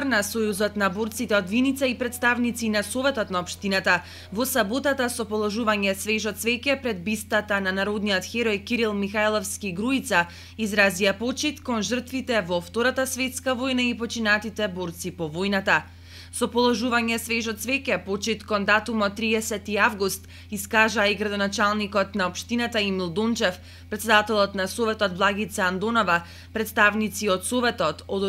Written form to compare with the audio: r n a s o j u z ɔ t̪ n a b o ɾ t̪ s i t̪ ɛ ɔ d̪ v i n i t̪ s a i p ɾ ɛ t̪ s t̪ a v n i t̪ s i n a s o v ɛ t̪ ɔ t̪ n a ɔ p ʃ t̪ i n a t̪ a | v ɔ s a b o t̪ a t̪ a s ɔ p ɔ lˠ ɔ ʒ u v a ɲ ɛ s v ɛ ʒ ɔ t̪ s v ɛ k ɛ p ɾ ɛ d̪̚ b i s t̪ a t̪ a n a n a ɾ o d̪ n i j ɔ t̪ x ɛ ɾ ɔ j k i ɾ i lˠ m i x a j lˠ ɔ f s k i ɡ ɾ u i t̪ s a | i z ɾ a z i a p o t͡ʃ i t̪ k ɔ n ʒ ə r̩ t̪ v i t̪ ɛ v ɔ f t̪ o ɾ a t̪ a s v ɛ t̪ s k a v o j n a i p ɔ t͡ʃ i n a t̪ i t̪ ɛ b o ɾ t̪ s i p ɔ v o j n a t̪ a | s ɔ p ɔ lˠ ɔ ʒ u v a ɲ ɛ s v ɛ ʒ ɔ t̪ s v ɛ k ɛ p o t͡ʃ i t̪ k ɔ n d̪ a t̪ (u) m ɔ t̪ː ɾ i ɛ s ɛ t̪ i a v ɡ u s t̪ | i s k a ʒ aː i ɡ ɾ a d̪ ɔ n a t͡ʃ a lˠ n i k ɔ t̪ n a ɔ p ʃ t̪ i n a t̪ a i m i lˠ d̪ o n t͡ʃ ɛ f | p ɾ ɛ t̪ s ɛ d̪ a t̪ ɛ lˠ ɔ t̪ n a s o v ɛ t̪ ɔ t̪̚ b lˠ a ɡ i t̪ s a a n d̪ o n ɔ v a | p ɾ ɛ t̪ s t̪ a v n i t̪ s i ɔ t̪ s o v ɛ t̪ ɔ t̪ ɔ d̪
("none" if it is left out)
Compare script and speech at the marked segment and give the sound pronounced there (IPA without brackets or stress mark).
u